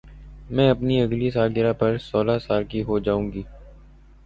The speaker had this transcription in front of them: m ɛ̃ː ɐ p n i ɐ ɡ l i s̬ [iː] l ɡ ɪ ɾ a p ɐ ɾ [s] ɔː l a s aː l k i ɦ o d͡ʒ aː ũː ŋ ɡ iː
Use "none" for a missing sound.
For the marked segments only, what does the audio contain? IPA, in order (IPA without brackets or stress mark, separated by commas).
aː, s